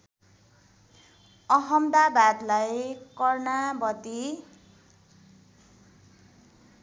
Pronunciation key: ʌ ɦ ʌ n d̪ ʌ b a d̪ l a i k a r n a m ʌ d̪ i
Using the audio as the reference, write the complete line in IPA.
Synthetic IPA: ʌ ɦ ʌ m d̪ a b a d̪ l a j k ʌ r n a b ʌ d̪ i